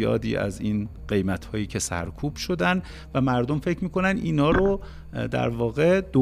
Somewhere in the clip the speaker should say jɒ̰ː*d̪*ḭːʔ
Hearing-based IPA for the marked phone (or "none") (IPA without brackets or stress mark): d̪